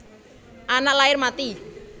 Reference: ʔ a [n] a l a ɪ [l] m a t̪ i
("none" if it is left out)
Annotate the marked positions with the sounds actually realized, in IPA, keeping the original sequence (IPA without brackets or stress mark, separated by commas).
n, r